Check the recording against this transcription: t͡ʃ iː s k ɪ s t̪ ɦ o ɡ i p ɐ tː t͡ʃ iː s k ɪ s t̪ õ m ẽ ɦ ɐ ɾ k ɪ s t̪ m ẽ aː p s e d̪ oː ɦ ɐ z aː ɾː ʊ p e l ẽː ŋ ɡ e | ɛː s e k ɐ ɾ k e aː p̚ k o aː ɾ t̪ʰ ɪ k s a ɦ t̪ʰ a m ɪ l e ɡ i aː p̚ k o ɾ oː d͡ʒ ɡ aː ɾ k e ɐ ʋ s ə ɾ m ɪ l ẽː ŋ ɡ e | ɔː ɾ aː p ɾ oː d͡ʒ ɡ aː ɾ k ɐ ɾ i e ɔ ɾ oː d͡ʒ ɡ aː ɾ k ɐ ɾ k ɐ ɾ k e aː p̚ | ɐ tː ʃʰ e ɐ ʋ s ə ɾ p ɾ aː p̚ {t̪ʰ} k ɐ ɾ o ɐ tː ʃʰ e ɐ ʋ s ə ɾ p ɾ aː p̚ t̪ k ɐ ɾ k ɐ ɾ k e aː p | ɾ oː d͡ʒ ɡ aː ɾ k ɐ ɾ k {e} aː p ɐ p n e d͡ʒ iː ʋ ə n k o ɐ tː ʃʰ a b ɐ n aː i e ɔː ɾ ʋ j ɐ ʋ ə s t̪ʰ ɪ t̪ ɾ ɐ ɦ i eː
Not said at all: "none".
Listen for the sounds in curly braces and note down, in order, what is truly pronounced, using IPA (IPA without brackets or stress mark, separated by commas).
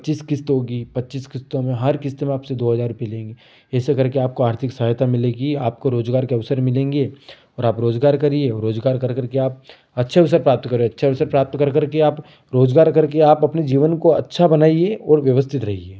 t̪, e